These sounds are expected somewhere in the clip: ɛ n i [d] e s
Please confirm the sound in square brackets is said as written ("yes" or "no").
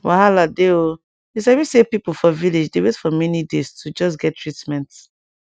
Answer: yes